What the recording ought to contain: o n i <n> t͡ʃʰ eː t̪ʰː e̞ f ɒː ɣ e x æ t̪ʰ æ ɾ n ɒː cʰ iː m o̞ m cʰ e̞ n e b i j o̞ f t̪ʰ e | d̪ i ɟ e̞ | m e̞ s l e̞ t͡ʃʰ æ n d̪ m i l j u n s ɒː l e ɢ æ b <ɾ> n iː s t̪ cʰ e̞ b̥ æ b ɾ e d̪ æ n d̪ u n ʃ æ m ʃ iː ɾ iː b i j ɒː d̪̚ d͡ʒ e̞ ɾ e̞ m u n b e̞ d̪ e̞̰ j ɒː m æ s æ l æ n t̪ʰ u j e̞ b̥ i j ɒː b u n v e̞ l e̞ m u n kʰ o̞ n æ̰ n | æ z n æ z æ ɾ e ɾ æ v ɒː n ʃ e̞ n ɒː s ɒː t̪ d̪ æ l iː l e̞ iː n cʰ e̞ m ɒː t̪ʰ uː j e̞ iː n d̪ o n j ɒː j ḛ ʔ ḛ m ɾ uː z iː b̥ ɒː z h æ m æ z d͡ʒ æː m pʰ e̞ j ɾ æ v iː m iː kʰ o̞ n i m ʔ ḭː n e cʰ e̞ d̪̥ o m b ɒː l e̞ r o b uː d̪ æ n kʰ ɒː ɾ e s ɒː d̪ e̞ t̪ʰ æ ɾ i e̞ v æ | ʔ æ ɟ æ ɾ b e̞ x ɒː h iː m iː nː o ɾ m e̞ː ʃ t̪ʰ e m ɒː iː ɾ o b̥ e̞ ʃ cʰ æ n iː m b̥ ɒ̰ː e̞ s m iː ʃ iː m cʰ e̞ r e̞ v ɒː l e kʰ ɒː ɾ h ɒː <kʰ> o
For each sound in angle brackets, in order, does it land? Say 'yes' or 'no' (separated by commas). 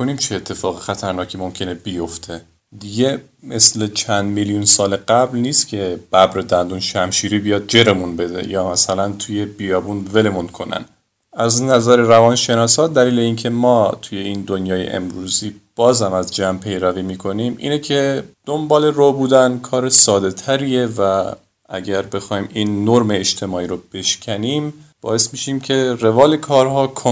no, no, yes